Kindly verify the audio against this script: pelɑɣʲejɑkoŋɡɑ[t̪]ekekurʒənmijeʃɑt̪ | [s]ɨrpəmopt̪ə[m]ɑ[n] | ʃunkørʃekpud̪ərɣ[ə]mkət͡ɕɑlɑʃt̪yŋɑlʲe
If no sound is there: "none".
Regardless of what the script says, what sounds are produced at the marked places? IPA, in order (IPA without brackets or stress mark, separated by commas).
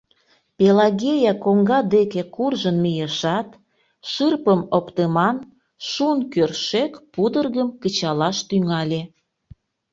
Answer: d̪, ʃ, m, n, ə